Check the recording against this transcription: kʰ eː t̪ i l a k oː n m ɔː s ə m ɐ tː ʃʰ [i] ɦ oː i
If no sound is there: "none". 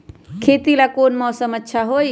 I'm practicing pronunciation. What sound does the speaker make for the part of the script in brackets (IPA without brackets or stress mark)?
a